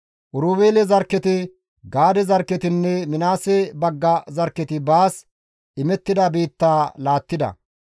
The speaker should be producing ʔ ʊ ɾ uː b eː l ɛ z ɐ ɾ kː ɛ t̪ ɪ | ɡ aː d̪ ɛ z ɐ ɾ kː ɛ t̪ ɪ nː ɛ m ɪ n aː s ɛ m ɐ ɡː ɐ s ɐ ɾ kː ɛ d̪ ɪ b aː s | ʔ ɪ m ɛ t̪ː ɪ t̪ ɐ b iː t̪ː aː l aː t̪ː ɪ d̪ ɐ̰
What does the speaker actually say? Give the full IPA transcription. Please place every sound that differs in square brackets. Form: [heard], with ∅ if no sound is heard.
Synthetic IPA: ʔ ʊ ɾ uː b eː l ɛ z ɐ ɾ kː ɛ t̪ ɪ | ɡ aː d̪ ɛ z ɐ ɾ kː ɛ t̪ ɪ nː ɛ m ɪ n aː s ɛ [b] ɐ ɡː ɐ [z] ɐ ɾ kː ɛ [t̪] ɪ b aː s | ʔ ɪ m ɛ t̪ː ɪ [d̪] ɐ b iː t̪ː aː l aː t̪ː ɪ d̪ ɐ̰